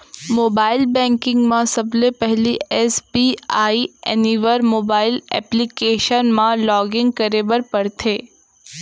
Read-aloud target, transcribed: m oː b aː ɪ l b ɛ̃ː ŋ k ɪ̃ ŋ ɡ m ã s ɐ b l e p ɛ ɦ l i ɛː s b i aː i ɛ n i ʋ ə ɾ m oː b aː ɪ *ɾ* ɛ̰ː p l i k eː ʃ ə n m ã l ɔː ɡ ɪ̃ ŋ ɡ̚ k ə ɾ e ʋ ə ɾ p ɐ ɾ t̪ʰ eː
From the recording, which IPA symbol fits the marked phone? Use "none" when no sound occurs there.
l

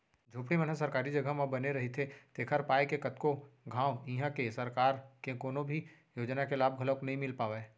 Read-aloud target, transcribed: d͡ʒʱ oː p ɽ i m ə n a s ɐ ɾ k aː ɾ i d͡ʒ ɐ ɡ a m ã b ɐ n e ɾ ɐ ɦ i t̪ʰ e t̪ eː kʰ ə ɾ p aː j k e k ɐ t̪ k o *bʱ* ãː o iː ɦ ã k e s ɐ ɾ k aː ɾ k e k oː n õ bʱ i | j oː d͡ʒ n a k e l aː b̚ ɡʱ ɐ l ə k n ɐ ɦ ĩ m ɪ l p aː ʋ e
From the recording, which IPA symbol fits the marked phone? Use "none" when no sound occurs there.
ɡʱ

